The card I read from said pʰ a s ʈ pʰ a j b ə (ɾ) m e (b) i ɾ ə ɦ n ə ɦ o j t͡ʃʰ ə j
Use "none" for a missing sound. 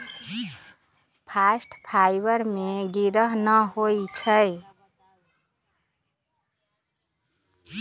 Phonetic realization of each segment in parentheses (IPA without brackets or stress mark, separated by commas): ɾ, ɡ